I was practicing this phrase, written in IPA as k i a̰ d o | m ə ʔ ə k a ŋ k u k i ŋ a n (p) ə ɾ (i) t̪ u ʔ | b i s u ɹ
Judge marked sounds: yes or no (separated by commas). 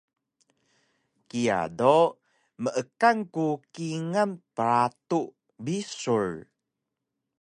yes, no